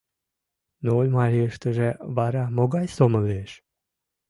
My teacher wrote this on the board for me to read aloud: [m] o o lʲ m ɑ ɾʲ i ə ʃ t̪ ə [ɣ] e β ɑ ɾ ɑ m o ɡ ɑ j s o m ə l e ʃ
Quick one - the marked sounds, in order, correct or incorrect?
incorrect: n, incorrect: ʒ

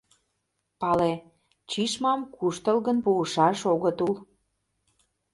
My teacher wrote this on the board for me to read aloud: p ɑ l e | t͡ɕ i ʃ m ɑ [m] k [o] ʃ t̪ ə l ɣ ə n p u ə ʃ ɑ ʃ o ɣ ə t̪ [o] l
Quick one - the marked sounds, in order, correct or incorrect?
correct, incorrect: u, incorrect: u

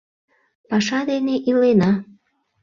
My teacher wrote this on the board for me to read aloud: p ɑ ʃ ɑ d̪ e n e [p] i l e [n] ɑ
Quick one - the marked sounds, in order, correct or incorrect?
incorrect: ʔ, correct

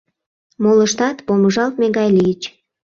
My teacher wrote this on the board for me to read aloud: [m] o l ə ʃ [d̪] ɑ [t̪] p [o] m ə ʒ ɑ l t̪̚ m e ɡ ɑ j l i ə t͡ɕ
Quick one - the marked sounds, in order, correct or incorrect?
correct, incorrect: t̪, correct, correct

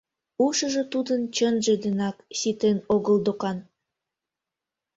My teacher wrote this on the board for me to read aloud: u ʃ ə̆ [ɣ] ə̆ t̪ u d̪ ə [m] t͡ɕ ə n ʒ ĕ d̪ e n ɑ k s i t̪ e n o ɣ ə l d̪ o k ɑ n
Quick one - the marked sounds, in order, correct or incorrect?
incorrect: ʒ, incorrect: n

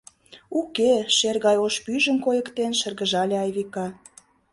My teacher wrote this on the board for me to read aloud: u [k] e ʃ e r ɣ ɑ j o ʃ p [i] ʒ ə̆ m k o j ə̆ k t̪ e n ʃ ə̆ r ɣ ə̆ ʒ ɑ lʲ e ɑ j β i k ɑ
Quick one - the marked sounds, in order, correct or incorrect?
correct, incorrect: y

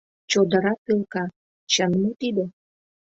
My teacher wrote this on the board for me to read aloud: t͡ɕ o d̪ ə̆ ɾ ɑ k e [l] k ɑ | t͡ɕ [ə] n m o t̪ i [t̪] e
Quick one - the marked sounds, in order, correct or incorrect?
correct, correct, incorrect: d̪

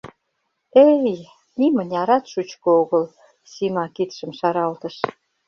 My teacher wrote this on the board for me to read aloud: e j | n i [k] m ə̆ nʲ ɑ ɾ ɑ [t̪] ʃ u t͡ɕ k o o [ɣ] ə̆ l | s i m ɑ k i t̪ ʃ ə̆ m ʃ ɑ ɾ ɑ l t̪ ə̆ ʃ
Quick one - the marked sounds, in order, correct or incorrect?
incorrect: none, correct, correct

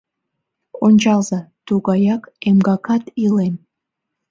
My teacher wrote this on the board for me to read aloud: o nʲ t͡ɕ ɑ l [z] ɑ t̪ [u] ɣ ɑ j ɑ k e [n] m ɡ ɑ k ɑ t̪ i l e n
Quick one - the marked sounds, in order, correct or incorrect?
correct, correct, incorrect: none

